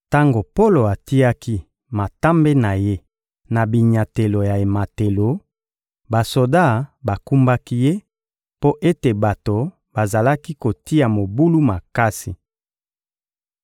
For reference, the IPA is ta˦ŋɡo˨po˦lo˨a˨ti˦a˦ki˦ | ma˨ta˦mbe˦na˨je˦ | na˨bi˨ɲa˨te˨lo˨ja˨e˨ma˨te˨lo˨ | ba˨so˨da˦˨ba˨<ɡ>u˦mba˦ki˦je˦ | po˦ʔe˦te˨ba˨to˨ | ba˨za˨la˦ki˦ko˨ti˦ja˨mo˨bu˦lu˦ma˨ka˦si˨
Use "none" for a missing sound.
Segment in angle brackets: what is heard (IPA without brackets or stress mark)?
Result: k